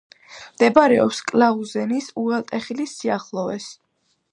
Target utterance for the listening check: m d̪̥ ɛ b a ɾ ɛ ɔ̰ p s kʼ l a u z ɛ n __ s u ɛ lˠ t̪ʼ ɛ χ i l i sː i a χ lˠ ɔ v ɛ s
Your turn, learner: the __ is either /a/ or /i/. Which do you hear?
i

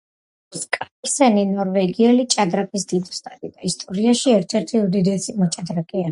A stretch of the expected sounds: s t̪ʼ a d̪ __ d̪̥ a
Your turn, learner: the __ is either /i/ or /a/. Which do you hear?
i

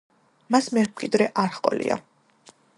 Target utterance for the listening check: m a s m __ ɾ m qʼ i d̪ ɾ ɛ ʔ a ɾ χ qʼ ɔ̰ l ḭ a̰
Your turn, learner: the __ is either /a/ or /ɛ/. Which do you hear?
ɛ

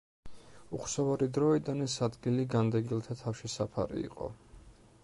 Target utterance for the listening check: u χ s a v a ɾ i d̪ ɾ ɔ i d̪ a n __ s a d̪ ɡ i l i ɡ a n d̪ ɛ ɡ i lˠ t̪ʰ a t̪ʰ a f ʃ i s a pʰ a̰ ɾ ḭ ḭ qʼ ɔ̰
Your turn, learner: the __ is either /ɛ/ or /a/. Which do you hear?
ɛ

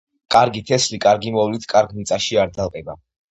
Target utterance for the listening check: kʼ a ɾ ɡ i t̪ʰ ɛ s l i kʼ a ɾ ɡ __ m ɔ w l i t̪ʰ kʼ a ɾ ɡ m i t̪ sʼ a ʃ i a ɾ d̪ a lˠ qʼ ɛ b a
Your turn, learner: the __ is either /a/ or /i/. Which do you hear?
i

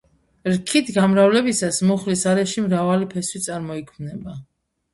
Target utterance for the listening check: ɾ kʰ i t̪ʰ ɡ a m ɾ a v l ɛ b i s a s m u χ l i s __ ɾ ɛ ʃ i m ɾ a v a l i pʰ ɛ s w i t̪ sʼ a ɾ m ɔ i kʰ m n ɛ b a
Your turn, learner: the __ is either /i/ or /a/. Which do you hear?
a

